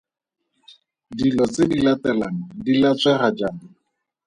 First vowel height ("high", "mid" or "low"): high